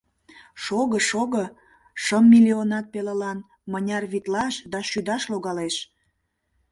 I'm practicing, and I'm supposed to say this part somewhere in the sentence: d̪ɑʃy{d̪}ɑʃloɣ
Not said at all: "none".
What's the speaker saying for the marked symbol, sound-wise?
d̪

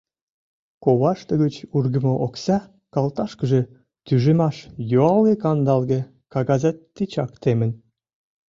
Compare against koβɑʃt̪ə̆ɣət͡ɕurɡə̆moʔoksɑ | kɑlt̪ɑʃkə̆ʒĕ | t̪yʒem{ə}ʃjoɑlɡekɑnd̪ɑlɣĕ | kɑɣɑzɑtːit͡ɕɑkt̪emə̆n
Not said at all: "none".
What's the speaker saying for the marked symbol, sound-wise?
ɑ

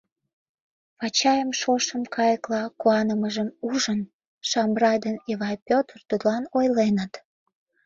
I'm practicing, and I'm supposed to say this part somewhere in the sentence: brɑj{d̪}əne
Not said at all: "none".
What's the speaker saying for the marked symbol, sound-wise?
d̪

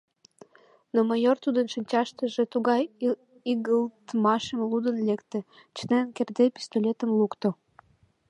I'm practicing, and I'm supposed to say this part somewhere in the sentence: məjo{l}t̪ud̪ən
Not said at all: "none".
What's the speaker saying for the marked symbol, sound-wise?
r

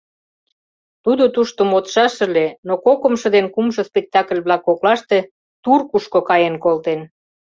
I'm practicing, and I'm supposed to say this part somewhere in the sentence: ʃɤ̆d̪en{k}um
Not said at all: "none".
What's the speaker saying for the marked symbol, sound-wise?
k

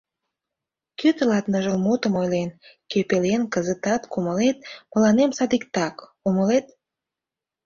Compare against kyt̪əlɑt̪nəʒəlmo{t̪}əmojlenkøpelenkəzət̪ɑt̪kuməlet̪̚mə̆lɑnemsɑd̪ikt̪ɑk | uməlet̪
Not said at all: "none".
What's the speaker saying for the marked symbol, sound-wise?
t̪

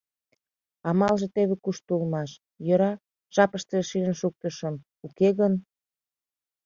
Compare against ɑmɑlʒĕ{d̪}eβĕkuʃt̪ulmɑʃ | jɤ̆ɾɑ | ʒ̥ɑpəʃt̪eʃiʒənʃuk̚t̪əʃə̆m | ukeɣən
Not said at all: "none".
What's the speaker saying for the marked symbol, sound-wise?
t̪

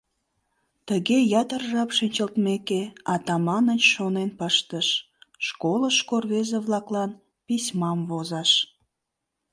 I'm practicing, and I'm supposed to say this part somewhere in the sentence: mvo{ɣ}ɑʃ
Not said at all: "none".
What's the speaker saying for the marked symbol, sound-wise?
z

